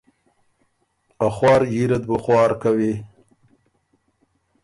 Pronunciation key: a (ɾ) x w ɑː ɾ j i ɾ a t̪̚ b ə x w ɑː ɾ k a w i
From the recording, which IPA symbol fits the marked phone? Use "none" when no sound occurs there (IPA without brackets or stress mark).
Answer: none